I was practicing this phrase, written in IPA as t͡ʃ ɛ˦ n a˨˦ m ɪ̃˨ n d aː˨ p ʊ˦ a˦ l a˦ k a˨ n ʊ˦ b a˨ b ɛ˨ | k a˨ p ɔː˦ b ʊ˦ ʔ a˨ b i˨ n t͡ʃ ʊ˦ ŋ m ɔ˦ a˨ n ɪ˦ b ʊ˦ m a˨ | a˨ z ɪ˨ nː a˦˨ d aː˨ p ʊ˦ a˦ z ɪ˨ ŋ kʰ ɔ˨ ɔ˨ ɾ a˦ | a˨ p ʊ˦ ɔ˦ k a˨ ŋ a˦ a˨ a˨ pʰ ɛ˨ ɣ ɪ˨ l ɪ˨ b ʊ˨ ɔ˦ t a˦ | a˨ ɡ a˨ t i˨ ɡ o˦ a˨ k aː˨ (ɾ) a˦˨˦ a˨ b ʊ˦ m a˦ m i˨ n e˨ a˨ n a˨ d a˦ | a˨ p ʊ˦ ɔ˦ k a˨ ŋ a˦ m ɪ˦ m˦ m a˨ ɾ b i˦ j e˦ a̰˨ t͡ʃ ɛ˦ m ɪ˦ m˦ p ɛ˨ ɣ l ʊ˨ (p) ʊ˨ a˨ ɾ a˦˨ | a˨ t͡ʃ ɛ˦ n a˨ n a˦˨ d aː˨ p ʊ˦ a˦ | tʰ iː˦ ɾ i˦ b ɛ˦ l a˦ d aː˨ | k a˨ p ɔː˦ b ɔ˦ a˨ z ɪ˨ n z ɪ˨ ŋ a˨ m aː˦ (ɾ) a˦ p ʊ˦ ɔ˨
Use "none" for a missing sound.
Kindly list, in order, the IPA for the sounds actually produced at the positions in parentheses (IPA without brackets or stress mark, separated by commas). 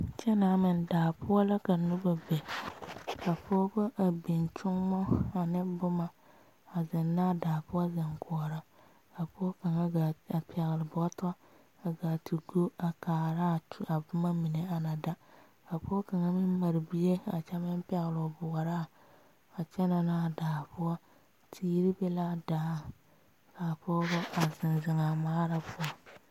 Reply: ɾ, b, ɾ